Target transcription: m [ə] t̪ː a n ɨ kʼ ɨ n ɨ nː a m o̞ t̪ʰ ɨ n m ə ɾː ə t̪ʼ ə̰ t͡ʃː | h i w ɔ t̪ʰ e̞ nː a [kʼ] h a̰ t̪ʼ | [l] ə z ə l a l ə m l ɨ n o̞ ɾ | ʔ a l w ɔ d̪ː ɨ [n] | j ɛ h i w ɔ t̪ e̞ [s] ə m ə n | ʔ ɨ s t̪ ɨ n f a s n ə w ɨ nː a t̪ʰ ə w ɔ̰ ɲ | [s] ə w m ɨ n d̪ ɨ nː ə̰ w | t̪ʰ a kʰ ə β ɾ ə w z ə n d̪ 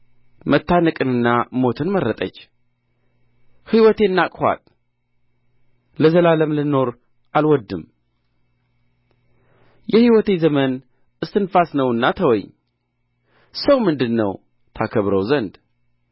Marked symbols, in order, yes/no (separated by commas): yes, yes, yes, no, no, yes